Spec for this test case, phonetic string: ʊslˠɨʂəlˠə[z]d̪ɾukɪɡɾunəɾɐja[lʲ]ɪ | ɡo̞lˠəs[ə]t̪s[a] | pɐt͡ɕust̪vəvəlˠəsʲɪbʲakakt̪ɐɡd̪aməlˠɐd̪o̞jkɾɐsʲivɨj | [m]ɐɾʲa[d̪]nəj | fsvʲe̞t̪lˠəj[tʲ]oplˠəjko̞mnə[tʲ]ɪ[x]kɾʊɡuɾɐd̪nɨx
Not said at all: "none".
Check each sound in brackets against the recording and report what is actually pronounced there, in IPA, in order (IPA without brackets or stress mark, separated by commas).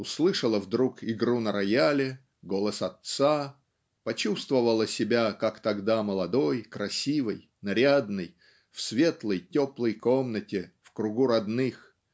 v, lʲ, ɐ, a, n, d̪, tʲ, tʲ, f